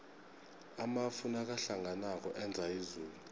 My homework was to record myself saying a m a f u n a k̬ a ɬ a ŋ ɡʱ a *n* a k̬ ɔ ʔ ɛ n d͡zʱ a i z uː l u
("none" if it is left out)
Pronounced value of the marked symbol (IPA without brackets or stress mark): n